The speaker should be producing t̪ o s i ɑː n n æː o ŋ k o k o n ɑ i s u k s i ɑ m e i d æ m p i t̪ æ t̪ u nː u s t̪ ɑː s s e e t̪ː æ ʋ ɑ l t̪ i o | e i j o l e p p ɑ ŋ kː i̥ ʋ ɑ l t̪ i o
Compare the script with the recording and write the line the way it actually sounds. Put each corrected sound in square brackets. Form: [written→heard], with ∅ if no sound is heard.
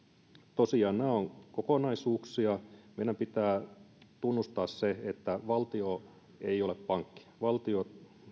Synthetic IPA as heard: t̪ o s i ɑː n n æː o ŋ k o k o n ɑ i s [u→uː] k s i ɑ m e i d æ m p i t̪ [æ→æː] t̪ u nː u s t̪ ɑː s s e e t̪ː æ ʋ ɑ l t̪ i o | e i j o l e p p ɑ ŋ kː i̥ ʋ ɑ l t̪ i o